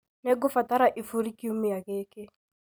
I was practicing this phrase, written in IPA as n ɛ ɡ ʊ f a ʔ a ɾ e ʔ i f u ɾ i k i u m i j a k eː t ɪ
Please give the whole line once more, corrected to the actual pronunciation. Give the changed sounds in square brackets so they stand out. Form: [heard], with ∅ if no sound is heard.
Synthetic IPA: n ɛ ɡ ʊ f a [t] a ɾ [a] ʔ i f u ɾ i k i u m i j a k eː [k] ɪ

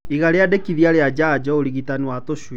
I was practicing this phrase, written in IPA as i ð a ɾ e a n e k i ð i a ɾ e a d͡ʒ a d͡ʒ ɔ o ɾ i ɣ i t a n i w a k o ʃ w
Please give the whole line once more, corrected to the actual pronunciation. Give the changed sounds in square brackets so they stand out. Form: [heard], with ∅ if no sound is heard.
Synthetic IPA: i [ɣ] a ɾ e a [d] e k i ð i a ɾ e a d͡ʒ a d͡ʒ ɔ o ɾ i ɣ i t a n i w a [t] o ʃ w

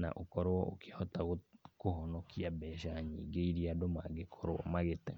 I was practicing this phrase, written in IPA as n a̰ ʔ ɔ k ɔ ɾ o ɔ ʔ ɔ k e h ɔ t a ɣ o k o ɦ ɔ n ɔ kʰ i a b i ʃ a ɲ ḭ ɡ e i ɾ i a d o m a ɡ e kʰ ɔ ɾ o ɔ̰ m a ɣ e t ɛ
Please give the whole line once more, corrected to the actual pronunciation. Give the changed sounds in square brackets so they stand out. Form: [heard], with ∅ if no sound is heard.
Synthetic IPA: n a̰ ʔ [o] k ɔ ɾ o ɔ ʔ [o] k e h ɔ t a ɣ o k o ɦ ɔ n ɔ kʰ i a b [ɛ] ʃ a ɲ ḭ ɡ e i ɾ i a d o m a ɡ e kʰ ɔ ɾ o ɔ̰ m a ɣ e t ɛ

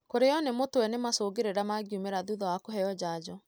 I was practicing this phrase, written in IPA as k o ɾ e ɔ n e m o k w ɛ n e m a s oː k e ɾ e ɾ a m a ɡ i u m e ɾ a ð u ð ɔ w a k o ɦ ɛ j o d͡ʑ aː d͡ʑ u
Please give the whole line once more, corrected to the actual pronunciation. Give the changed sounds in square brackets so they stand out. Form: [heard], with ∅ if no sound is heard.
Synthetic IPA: k o ɾ e ɔ n e m o [t] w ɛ n e m a s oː [ɡ] e ɾ e ɾ a m a ɡ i u m e ɾ a ð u ð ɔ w a k o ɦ ɛ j [ɔ] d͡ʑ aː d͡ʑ [ɔ]

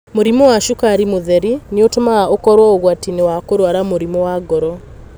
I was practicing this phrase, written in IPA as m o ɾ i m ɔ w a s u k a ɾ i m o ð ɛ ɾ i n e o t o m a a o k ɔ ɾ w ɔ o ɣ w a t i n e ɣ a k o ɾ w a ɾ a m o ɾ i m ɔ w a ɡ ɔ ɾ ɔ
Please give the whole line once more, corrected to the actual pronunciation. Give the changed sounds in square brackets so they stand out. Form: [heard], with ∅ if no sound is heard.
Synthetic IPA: m o ɾ i m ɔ w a [ʃ] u k a ɾ i m o ð ɛ ɾ i n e o t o m a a o k ɔ ɾ w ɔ o ɣ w a t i n e [w] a k o ɾ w a ɾ a m o ɾ i m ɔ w a ɡ ɔ ɾ ɔ

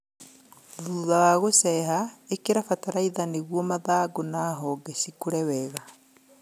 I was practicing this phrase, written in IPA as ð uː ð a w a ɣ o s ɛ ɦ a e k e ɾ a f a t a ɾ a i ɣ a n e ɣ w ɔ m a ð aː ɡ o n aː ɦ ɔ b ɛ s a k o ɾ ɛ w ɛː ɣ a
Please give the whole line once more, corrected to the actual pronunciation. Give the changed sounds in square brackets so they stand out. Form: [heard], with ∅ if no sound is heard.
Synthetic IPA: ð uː ð a w a ɣ o s ɛ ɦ a e k e ɾ a f a t a ɾ a i [ð] a n e ɣ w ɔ m a ð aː ɡ o n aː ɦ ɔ [ɡ] ɛ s [i] k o ɾ ɛ w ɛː ɣ a

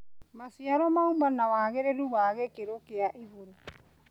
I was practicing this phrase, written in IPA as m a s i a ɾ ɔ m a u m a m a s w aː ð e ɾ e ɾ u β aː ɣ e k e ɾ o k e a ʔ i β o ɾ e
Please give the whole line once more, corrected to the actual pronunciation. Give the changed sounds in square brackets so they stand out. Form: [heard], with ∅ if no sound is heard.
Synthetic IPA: m a s i a ɾ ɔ m a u m a [n] a [∅] w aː [ɣ] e ɾ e ɾ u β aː ɣ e k e ɾ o k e a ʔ i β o ɾ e

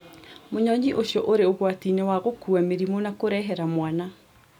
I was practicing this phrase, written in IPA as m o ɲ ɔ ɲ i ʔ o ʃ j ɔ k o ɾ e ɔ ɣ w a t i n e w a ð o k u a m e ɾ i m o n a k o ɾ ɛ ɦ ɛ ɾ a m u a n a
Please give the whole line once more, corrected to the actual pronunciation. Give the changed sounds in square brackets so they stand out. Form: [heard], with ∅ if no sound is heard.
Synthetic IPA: m o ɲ ɔ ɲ i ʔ o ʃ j ɔ [ʔ] o ɾ e [o] ɣ w a t i n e w a [ɣ] o k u a m e ɾ i m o n a k o ɾ ɛ ɦ ɛ ɾ a m [w] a n a

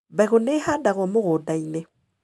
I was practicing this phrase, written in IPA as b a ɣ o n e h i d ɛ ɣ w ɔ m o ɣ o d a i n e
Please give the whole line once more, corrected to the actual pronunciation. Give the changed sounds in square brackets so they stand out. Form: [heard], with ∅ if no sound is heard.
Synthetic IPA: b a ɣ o n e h [a] d [a] ɣ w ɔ m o ɣ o d a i n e

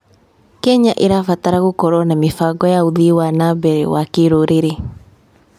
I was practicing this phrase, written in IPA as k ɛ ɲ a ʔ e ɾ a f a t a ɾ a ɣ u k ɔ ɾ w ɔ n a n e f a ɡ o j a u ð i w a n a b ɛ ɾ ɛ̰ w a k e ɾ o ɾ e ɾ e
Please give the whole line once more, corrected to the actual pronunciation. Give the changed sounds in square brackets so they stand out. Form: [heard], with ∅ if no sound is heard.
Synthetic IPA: k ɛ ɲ a ʔ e ɾ a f a t a ɾ a ɣ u k ɔ ɾ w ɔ n a [m] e f a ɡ [ɔ] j a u ð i w a n a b ɛ ɾ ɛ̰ w a k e ɾ o ɾ e ɾ e

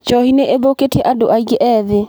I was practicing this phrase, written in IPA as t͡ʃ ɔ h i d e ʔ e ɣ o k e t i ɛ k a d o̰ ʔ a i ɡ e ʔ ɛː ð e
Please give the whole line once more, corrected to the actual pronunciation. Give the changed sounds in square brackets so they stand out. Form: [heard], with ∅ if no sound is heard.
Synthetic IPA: t͡ʃ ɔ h i [n] e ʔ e [ð] o k e t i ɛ [ʔ] a d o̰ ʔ a i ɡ e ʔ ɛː ð e

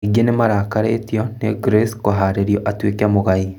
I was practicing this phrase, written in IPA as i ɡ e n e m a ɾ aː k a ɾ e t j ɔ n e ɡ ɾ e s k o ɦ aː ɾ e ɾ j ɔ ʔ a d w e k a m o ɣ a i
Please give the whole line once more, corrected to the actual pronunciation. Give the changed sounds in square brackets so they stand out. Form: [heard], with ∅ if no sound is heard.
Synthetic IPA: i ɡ e n e m a ɾ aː k a ɾ e t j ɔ n e ɡ ɾ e s k o ɦ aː ɾ e ɾ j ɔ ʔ a [t] w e k a m o ɣ a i

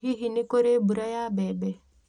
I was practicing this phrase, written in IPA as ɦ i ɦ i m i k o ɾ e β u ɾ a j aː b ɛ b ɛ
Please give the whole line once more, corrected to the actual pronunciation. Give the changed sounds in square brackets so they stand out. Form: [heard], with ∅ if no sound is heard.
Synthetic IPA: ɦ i ɦ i [n] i k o ɾ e [b] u ɾ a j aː b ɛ b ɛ

